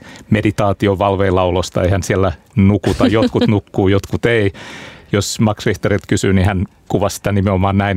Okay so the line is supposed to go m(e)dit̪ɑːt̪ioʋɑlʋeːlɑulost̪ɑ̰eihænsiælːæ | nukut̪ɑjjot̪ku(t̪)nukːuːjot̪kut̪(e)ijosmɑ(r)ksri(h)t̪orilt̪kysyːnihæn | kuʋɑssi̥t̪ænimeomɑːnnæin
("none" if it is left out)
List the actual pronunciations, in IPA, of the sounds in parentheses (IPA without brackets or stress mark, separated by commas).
e, t̪, e, none, h